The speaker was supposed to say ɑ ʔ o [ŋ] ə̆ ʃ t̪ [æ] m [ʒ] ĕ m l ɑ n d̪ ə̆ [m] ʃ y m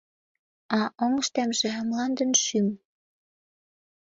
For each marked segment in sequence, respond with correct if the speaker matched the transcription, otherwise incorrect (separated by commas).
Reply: correct, correct, correct, incorrect